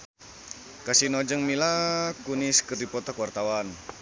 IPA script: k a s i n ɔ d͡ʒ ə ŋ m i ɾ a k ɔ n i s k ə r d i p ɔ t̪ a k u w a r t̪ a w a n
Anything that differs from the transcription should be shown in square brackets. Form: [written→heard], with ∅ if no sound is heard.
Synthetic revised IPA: k a s i n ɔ d͡ʒ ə ŋ m i [ɾ→l] a k [ɔ→u] n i s k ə r d i p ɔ t̪ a k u w a r t̪ a w a n